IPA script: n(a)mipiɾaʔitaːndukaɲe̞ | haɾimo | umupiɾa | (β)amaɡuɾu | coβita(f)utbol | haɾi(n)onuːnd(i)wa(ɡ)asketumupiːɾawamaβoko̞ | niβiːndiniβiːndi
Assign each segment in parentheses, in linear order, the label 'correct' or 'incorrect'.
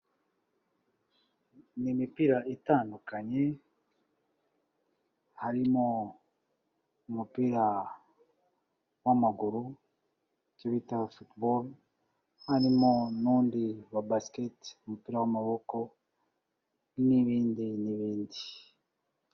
incorrect: i, incorrect: w, correct, incorrect: m, correct, incorrect: b

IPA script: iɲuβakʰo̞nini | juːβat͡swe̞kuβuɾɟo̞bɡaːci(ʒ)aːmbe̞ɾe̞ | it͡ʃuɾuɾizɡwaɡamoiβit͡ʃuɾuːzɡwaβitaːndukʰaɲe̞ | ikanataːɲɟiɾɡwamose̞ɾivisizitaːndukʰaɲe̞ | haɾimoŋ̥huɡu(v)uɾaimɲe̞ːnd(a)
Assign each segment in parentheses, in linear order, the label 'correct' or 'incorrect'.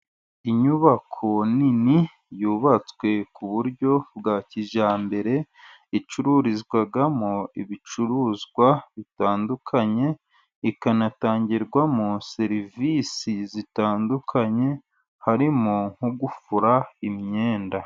correct, incorrect: f, correct

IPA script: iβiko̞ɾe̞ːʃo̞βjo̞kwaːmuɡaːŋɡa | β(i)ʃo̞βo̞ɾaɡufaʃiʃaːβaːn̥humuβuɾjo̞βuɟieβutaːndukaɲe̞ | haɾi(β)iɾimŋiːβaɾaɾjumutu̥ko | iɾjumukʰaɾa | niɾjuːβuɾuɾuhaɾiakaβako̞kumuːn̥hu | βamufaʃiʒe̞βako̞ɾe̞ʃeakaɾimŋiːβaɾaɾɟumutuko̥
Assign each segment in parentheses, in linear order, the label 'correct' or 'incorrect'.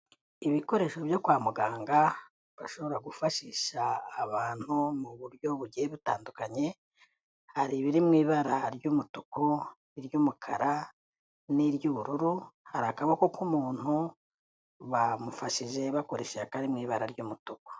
incorrect: a, correct

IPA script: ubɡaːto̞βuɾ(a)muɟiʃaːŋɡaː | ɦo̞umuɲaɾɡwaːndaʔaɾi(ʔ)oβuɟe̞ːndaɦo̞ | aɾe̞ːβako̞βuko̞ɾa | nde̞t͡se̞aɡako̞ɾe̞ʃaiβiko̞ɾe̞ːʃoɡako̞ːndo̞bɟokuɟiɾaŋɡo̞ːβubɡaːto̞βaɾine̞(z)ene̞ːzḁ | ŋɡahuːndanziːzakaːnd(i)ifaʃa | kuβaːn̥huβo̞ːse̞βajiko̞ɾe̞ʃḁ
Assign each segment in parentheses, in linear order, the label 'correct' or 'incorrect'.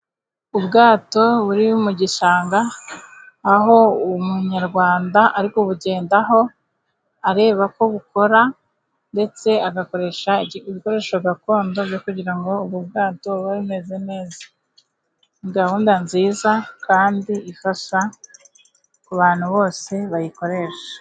incorrect: i, incorrect: k, correct, correct

